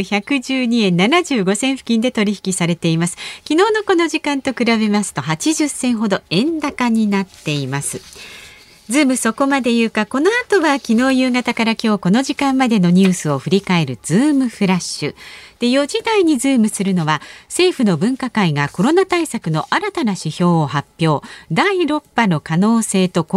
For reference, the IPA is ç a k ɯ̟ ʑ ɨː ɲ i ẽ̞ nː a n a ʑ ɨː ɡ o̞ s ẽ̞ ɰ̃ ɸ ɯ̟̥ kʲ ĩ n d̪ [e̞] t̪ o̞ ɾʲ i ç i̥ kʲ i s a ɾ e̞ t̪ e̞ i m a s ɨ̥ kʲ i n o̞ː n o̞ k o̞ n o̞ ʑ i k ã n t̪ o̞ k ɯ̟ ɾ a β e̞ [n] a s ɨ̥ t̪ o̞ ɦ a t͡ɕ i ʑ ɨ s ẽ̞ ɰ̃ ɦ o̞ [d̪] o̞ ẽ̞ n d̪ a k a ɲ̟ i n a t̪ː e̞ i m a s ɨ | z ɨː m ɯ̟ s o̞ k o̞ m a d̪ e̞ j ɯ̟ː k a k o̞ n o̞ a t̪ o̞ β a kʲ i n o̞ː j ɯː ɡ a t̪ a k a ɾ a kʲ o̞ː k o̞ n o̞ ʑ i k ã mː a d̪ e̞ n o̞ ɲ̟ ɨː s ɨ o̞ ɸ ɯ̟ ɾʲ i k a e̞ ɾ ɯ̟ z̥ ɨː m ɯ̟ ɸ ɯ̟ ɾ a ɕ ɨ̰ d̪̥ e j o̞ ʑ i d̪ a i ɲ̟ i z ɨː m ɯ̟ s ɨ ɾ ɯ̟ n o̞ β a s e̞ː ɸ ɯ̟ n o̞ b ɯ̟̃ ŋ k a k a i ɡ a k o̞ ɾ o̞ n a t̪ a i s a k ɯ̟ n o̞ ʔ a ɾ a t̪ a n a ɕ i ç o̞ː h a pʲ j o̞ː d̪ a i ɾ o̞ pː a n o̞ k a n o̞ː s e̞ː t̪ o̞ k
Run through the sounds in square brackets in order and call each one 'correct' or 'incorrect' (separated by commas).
correct, incorrect, correct